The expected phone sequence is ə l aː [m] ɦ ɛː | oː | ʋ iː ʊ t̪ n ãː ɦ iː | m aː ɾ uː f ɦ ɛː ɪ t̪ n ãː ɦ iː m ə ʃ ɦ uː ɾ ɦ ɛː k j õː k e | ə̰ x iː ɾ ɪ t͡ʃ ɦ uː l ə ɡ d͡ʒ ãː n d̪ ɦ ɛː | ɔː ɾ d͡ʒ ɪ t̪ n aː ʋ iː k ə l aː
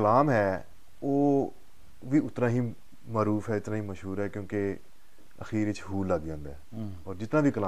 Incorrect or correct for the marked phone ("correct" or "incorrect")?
correct